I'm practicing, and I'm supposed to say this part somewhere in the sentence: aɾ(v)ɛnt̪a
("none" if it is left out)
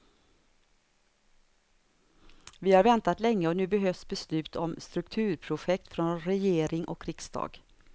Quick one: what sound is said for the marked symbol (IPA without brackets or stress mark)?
v